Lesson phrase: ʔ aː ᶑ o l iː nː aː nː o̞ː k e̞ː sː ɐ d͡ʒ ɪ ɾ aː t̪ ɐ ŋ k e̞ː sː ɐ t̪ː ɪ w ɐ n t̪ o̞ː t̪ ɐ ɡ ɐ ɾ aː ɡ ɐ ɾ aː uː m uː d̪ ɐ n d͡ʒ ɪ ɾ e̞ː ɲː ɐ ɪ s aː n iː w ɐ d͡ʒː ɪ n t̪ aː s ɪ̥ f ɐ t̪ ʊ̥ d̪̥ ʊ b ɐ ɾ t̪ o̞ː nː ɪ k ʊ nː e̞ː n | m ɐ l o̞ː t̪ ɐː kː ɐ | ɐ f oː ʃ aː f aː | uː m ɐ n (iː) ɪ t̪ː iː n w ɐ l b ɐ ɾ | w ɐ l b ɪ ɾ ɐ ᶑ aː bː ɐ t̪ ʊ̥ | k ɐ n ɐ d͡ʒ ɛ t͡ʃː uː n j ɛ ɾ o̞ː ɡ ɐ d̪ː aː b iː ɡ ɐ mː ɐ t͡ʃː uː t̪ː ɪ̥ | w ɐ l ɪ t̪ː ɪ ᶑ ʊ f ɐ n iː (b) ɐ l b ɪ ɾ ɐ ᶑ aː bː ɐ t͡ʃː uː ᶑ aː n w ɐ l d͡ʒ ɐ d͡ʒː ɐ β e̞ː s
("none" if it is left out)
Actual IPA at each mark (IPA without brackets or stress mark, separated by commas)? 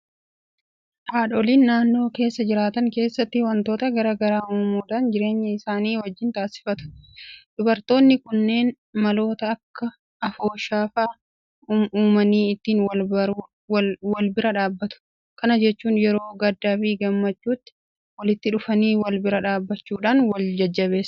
iː, w